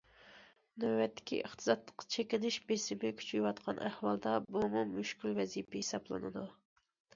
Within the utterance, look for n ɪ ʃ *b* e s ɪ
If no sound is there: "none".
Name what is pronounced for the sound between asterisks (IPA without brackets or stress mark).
b